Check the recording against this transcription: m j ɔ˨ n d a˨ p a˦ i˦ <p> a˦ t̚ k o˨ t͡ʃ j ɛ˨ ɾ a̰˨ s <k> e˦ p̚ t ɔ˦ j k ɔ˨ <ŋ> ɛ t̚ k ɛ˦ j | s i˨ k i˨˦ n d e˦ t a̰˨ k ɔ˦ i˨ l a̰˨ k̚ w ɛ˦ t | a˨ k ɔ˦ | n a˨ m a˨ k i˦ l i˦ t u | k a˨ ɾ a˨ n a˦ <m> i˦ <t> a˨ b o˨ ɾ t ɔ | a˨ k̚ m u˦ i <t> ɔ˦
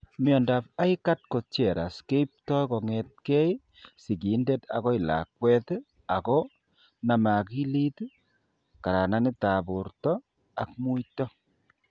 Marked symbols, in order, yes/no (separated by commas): no, yes, yes, no, yes, yes